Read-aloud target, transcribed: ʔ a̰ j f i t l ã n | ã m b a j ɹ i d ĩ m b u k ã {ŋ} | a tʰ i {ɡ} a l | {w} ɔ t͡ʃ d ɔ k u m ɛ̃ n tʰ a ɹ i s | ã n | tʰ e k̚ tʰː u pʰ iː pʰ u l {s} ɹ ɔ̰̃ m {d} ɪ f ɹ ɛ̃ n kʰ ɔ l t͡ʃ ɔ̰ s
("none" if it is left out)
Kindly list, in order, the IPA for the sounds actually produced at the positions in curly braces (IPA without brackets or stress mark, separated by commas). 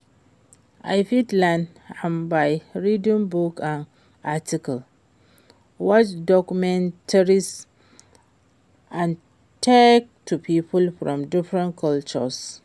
n, k, w, f, d